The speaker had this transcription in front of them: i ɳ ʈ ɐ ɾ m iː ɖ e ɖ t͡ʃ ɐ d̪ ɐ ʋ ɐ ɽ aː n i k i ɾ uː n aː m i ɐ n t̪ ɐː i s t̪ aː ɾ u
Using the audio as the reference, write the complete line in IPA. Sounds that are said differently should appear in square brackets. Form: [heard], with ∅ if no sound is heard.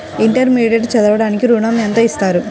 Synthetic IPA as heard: i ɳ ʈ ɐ ɾ m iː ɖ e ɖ t͡ʃ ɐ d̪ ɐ ʋ ɐ ɽ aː n i k i ɾ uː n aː m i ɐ n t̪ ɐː i s t̪ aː ɾ u